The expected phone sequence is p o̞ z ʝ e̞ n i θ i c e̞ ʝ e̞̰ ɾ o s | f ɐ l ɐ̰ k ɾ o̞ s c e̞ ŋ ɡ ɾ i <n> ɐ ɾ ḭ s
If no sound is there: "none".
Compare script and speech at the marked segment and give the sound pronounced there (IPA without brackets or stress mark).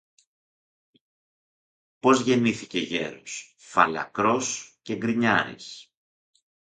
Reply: ɲ